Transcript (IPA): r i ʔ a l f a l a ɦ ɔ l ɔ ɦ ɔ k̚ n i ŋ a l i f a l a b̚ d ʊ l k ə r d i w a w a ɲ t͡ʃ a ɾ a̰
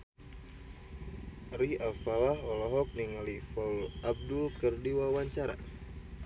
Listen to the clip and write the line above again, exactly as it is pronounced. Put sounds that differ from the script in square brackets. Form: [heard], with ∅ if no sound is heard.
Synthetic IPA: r i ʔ a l f a l a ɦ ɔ l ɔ ɦ ɔ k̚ n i ŋ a l i f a l a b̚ d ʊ l k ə r d i w a w a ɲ t͡ʃ a ɾ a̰